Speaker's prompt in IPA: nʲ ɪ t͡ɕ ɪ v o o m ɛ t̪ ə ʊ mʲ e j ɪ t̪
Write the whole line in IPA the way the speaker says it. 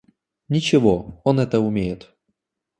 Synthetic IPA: nʲ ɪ t͡ɕ ɪ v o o n ɛ t̪ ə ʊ mʲ e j ɪ t̪